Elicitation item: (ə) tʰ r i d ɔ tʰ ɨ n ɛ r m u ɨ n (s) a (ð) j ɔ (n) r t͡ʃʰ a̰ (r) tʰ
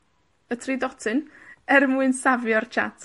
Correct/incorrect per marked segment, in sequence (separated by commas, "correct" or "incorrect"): correct, correct, incorrect, incorrect, incorrect